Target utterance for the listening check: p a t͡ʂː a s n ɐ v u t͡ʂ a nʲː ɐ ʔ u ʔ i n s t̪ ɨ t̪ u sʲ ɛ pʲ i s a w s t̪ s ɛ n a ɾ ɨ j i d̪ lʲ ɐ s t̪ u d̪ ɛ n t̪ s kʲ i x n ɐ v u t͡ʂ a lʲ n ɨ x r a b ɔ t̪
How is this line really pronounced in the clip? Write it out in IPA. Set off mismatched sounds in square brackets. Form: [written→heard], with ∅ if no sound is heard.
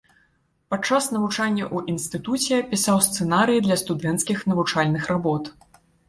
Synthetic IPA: p a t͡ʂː a s n ɐ v u t͡ʂ a nʲː ɐ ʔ u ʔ i n s t̪ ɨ t̪ u [sʲ→t͡sʲ] ɛ pʲ i s a w s t̪ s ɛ n a ɾ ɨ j i d̪ lʲ ɐ s t̪ u d̪ ɛ n t̪ s kʲ i x n ɐ v u t͡ʂ a lʲ n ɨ x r a b ɔ t̪